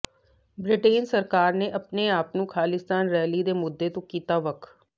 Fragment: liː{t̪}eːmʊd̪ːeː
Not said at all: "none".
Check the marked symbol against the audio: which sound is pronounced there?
d̪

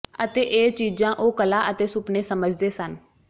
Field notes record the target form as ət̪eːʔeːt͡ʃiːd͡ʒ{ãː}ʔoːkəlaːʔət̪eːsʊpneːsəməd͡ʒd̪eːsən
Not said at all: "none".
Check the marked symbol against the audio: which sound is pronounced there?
ãː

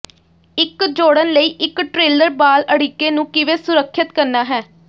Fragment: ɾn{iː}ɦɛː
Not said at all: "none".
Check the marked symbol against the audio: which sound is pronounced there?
aː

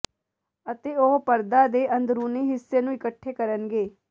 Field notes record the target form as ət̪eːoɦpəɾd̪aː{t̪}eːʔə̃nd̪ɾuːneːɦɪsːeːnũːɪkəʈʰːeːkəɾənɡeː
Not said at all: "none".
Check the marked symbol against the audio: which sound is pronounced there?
d̪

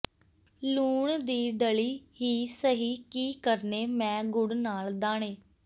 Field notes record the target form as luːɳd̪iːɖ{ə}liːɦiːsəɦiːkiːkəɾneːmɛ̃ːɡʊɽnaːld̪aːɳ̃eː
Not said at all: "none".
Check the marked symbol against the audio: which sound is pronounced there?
ə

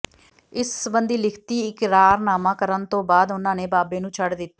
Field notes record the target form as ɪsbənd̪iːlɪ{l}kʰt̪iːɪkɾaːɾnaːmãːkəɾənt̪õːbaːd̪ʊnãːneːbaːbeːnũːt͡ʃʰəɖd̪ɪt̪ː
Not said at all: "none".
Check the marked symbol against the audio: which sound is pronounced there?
none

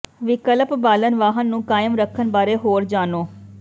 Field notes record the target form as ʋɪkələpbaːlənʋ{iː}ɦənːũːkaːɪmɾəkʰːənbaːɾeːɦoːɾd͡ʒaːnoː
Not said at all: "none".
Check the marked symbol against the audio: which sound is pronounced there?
aː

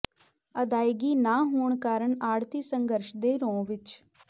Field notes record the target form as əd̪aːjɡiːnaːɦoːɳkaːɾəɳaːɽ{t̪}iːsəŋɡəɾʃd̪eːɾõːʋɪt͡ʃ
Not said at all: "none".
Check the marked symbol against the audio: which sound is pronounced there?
t̪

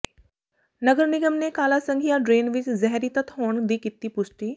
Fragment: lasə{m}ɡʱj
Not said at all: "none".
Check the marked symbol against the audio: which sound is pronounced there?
ŋ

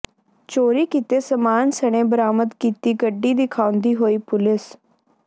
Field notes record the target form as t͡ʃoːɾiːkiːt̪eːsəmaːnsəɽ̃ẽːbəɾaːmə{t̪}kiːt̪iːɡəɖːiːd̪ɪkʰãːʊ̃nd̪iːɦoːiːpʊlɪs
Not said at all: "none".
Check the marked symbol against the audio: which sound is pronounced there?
d̪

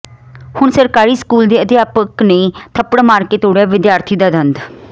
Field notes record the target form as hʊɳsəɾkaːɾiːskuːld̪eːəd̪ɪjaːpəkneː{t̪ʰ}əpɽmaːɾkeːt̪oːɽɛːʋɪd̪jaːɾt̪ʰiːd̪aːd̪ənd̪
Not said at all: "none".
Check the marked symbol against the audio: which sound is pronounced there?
t̪ʰ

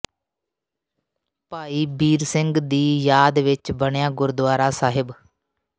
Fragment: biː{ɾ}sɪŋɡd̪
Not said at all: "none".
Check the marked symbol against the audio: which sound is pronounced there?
ɾ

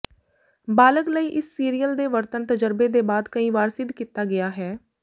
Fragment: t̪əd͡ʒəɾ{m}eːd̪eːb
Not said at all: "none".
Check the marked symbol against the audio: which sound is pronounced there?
b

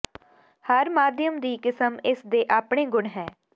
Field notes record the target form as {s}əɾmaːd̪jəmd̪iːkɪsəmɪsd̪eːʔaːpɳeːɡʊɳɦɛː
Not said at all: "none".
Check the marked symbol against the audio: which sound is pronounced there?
h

